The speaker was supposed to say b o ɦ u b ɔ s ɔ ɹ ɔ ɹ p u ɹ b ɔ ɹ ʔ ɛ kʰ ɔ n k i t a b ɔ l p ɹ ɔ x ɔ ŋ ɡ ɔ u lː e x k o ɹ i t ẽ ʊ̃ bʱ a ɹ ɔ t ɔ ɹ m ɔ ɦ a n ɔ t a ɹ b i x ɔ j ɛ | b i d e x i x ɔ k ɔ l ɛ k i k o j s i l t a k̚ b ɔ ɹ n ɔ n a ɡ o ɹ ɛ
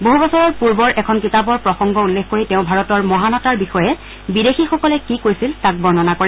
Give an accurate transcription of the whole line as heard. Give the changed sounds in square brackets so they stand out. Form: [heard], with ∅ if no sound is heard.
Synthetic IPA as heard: b o ɦ u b ɔ s ɔ ɹ ɔ ɹ p u ɹ b ɔ ɹ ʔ ɛ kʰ ɔ n k i t a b ɔ [ɹ] p ɹ ɔ x ɔ ŋ ɡ ɔ u lː e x k o ɹ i t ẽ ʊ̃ bʱ a ɹ ɔ t ɔ ɹ m ɔ ɦ a n ɔ t a ɹ b i x ɔ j ɛ | b i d e x i x ɔ k ɔ l ɛ k i k o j s i l t a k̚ b ɔ ɹ n ɔ n a [k] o ɹ ɛ